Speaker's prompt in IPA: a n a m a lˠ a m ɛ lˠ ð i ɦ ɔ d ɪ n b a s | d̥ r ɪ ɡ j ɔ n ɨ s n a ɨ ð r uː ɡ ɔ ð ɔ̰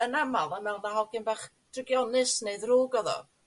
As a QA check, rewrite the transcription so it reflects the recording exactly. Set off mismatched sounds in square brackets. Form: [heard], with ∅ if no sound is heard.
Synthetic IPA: [ə] n a m a lˠ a m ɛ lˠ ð [a] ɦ ɔ [ɡ] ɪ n b a [χ] | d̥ r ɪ ɡ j ɔ n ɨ s n [e] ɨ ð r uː ɡ ɔ ð ɔ̰